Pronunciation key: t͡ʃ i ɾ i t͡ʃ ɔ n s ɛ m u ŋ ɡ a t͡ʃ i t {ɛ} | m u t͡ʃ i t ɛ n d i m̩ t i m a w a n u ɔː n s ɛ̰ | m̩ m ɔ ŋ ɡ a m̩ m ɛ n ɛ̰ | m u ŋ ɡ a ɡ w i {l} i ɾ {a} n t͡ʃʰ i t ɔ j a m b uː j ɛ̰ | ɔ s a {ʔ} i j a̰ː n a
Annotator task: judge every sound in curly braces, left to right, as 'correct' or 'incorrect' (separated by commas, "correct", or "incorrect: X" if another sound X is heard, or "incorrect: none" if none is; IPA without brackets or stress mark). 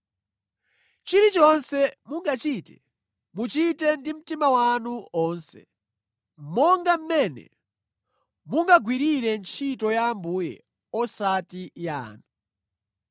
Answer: correct, incorrect: ɾ, incorrect: ɛ, incorrect: t